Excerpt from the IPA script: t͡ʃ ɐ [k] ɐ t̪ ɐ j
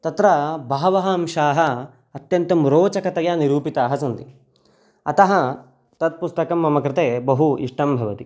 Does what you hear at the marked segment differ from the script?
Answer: no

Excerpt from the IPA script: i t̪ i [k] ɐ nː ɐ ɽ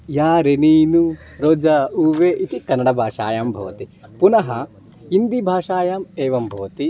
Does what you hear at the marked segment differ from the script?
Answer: no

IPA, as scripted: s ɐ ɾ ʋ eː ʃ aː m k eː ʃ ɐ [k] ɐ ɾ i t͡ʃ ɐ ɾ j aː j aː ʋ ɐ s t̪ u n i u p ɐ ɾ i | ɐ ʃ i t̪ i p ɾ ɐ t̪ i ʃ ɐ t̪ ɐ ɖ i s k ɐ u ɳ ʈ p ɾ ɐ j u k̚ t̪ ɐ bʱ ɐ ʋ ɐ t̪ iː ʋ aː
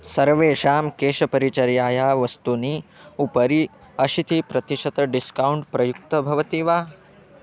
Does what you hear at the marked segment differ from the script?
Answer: yes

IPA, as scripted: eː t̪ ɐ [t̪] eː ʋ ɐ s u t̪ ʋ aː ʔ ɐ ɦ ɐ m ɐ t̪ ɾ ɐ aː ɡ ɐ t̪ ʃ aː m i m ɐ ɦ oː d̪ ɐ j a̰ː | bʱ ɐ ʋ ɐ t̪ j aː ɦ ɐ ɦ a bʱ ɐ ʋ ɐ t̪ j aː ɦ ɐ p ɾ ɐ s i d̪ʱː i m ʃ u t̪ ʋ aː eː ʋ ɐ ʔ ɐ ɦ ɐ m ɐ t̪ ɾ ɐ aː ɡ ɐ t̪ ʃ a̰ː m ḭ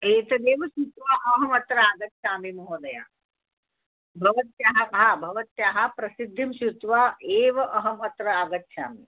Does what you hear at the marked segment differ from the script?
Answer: yes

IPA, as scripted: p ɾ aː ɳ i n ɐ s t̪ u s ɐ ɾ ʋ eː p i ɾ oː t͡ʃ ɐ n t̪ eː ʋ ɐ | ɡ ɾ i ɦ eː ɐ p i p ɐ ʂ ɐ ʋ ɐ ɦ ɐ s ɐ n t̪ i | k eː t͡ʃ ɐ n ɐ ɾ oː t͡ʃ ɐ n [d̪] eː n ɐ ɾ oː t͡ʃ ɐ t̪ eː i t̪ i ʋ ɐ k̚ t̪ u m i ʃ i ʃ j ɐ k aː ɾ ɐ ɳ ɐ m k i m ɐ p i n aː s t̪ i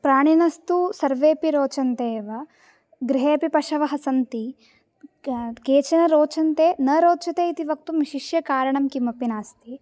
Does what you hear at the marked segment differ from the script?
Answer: yes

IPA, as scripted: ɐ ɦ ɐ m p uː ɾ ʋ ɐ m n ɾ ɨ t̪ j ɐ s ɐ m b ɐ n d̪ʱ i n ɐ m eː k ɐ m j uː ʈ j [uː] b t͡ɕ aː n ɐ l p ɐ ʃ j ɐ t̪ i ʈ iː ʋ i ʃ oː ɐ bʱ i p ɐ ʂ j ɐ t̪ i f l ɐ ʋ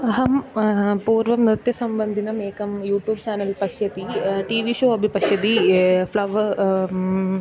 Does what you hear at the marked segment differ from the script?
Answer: no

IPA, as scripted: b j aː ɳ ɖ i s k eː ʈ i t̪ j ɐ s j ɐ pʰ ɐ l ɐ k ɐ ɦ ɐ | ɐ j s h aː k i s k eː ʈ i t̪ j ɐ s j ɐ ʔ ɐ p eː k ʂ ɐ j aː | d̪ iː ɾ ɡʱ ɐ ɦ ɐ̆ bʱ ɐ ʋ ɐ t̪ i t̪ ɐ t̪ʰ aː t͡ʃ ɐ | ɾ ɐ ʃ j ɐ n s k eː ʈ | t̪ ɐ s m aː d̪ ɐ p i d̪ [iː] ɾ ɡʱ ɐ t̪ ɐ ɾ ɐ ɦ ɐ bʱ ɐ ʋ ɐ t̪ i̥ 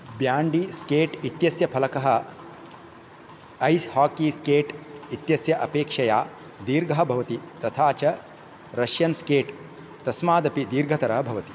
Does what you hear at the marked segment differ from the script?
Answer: no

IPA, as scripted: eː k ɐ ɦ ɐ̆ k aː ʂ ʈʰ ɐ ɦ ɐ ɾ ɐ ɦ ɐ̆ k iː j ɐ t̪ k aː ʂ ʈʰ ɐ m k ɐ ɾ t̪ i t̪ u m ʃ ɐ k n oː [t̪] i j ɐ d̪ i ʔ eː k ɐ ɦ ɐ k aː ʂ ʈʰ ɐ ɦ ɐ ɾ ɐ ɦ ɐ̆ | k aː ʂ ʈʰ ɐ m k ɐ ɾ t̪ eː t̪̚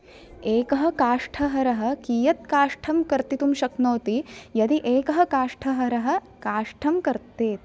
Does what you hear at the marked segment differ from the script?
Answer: no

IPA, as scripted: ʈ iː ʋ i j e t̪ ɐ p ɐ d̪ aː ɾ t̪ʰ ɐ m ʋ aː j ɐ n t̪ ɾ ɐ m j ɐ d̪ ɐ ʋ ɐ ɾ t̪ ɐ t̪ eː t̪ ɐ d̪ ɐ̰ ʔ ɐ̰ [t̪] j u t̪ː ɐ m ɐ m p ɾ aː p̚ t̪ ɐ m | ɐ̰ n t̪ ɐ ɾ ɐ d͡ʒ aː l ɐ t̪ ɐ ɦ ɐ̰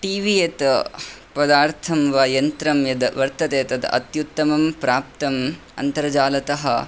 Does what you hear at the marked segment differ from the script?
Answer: no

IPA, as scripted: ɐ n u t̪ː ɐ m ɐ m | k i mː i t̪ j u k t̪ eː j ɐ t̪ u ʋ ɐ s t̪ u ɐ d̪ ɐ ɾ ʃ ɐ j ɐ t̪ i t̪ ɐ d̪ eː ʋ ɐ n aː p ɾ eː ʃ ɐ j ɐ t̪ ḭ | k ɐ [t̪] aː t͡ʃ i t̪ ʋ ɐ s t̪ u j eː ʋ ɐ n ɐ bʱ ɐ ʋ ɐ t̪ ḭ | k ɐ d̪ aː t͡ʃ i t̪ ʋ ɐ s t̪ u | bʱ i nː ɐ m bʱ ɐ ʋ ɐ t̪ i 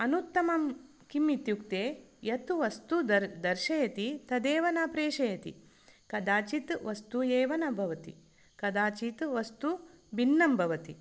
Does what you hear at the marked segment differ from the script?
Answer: yes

